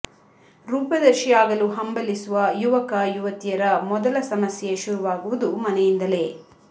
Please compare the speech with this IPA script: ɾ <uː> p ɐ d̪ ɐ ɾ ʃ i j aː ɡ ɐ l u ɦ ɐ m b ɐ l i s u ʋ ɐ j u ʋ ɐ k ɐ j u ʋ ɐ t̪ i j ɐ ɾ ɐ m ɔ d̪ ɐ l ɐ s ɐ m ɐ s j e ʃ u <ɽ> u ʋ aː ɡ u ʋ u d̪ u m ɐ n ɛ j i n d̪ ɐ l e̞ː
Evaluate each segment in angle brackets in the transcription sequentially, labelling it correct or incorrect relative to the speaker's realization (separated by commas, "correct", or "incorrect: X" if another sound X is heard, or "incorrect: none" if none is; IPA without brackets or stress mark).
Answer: correct, incorrect: ɾ